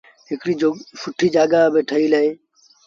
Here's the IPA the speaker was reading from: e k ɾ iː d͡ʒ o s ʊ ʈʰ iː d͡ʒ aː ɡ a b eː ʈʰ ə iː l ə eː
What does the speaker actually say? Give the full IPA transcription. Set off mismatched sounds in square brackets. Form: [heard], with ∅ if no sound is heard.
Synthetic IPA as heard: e k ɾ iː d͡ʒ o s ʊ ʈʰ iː d͡ʒ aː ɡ a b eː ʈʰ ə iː l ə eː